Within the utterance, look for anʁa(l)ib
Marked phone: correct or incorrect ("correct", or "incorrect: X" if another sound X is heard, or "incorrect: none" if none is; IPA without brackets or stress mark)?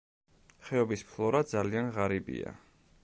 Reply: incorrect: ɾ